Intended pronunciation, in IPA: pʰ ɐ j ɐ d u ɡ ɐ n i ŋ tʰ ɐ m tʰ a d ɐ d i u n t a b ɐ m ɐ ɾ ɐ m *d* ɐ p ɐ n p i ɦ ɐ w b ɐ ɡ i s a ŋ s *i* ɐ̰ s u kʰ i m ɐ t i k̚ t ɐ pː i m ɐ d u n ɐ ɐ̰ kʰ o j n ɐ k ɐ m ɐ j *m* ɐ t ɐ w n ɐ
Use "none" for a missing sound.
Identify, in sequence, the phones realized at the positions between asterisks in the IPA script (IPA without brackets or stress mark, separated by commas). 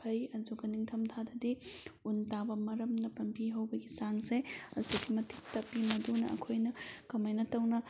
n, e, n